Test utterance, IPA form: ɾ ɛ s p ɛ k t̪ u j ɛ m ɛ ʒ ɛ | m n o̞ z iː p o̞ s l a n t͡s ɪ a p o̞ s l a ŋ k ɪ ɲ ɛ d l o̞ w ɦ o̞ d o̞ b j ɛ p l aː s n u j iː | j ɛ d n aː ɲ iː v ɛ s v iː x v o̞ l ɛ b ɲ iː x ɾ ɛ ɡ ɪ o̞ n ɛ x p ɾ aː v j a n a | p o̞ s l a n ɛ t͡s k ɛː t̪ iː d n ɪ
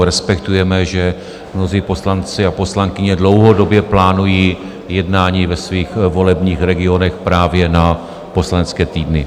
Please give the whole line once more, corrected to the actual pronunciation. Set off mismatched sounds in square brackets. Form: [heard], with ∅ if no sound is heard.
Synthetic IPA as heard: ɾ ɛ s p ɛ k t̪ u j ɛ m ɛ ʒ ɛ | m n o̞ z iː p o̞ s l a n t͡s ɪ a p o̞ s l a ŋ k ɪ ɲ ɛ d l o̞ w ɦ o̞ d o̞ b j ɛ p l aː [∅] n u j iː | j ɛ d n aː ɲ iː v ɛ s v iː x v o̞ l ɛ b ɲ iː x ɾ ɛ ɡ ɪ o̞ n ɛ x p ɾ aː v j [ɛ] n a | p o̞ s l a n ɛ t͡s k ɛː t̪ iː d n ɪ